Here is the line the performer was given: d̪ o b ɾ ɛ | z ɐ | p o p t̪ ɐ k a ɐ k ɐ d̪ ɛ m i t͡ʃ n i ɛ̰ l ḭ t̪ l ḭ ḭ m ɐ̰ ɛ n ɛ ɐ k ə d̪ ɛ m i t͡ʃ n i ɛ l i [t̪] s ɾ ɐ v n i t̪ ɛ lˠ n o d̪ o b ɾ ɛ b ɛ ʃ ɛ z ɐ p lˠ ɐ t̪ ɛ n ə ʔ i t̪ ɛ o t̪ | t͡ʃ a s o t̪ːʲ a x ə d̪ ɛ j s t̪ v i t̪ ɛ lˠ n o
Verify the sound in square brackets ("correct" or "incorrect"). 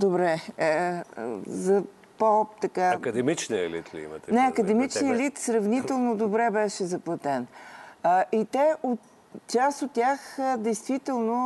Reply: correct